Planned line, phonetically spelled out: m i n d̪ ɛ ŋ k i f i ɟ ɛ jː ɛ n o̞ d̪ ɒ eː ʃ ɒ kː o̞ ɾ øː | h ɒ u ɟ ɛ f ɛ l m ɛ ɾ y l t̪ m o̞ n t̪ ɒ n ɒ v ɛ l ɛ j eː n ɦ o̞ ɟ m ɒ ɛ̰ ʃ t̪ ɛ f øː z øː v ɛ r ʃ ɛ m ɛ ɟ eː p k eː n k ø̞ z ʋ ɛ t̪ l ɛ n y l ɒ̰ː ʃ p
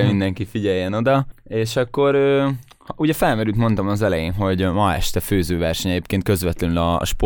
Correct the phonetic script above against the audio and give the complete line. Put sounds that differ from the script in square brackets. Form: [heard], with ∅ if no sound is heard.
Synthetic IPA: m i n d̪ ɛ ŋ k i f i ɟ ɛ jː ɛ n o̞ d̪ ɒ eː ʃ ɒ kː o̞ ɾ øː | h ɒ u ɟ ɛ f ɛ l m ɛ ɾ y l t̪ m o̞ n t̪ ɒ [m] ɒ [z] ɛ l ɛ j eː n ɦ o̞ ɟ m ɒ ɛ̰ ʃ t̪ ɛ f øː z øː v ɛ r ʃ ɛ [ɲ] ɛ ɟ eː p k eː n k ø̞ z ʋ ɛ t̪ l ɛ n y l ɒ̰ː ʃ p